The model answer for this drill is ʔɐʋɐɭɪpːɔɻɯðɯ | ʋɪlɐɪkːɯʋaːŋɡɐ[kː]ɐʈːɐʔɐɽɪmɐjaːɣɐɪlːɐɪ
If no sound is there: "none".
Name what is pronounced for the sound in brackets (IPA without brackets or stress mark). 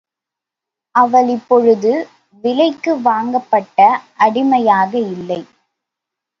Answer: pː